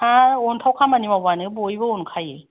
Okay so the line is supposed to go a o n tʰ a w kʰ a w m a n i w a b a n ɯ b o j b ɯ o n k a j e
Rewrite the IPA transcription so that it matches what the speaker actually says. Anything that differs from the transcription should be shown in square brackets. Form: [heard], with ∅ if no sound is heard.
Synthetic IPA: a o n tʰ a w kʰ a [∅] m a n i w a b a n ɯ b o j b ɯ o n [kʰ] a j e